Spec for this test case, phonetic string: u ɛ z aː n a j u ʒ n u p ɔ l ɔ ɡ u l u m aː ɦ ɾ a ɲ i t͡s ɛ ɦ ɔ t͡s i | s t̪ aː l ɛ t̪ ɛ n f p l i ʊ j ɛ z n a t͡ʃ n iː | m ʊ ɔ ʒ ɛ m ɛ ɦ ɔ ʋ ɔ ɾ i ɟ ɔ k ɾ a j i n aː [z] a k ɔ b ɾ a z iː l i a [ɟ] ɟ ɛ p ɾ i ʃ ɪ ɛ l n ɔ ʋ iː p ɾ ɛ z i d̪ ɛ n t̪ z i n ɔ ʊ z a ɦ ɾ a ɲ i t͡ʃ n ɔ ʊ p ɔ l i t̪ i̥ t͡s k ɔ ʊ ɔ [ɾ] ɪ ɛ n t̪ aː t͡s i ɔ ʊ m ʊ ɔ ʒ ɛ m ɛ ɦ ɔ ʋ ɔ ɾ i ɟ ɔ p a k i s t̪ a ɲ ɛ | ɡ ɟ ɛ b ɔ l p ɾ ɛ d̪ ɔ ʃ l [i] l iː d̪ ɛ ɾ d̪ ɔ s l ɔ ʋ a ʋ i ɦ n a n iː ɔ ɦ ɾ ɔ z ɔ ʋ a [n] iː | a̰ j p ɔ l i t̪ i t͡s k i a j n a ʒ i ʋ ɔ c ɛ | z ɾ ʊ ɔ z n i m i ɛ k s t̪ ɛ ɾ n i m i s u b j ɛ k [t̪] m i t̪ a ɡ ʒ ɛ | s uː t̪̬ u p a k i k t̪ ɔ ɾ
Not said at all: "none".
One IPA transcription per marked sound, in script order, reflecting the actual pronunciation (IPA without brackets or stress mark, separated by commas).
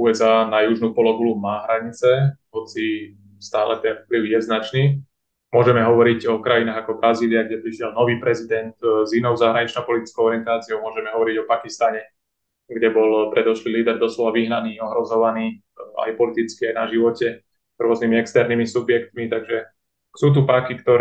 ɣ, ɡ, ɾ, i, n, t̪